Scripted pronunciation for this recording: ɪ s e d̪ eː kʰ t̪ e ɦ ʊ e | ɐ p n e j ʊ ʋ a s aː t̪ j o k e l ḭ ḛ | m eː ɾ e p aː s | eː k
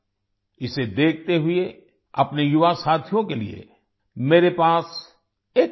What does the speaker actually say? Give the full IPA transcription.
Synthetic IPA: ɪ s e d̪ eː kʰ t̪ e ɦ ʊ e | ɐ p n e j ʊ ʋ a s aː t̪ʰ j õ k e l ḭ ḛ | m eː ɾ e p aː s | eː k